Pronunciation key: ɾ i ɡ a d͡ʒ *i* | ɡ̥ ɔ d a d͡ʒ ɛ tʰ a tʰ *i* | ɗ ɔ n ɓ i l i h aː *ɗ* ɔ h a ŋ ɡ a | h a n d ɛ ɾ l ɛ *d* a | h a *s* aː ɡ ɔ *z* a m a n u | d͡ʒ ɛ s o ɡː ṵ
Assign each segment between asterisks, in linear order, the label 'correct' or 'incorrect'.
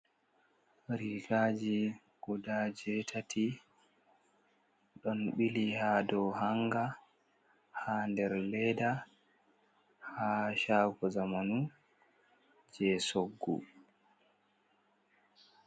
correct, correct, incorrect, correct, incorrect, correct

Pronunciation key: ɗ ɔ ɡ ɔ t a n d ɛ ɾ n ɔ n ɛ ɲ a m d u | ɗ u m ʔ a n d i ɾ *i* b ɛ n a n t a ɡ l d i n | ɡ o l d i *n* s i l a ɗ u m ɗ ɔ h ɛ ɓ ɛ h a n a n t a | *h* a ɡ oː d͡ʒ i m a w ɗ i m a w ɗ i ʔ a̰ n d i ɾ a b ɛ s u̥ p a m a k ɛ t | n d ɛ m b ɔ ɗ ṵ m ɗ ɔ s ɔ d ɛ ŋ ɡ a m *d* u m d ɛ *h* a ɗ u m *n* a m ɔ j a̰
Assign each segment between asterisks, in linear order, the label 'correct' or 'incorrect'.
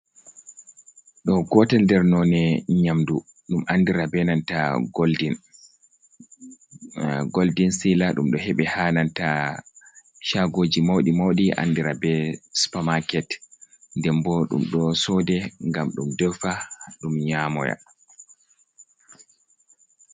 incorrect, correct, incorrect, incorrect, incorrect, incorrect

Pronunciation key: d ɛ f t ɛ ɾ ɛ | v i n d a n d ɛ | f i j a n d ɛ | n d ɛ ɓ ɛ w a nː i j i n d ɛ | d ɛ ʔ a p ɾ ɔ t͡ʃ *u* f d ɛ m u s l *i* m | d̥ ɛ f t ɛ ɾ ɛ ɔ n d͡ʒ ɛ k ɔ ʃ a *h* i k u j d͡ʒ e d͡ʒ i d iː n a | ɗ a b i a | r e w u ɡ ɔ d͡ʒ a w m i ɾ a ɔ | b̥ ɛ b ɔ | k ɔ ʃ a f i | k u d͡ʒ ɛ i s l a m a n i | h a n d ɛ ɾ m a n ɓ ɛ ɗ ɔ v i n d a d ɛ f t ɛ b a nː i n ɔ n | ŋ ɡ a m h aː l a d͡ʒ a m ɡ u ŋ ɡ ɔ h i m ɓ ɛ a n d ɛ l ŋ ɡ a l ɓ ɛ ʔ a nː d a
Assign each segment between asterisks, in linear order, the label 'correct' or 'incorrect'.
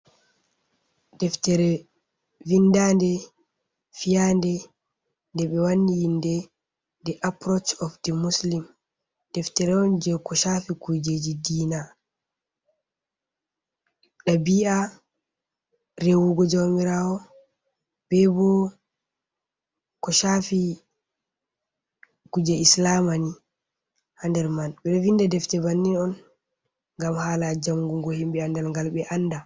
incorrect, correct, incorrect

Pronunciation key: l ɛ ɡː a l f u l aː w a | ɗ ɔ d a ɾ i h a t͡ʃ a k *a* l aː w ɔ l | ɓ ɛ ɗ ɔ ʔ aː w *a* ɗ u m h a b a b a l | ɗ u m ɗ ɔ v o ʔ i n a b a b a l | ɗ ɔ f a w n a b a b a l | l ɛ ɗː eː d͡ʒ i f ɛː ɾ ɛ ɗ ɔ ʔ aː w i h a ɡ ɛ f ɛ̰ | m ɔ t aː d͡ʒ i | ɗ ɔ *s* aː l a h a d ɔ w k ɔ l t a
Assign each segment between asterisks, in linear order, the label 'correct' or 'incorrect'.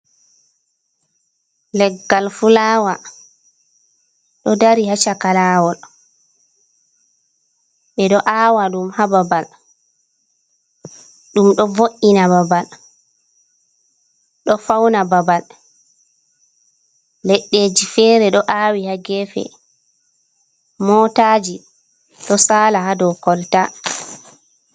correct, correct, correct

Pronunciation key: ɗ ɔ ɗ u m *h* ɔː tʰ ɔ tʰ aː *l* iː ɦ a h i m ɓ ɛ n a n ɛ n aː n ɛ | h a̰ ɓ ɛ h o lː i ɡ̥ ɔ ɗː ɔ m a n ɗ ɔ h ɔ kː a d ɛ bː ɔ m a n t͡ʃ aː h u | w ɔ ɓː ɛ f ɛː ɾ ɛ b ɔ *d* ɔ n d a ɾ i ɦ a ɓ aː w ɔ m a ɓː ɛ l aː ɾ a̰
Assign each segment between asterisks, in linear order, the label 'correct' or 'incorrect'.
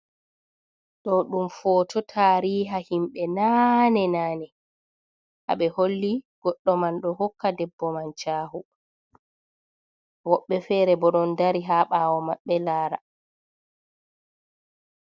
incorrect, incorrect, incorrect

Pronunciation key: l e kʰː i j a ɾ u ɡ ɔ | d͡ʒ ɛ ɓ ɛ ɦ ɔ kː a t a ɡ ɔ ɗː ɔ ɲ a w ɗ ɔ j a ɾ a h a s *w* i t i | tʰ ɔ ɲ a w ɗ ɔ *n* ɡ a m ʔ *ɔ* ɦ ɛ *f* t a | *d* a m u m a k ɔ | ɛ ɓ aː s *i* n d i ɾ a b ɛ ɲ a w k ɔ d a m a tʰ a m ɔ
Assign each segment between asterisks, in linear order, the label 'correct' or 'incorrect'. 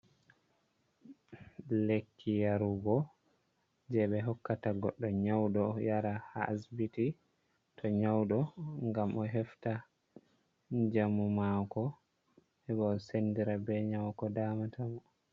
incorrect, incorrect, correct, correct, incorrect, incorrect

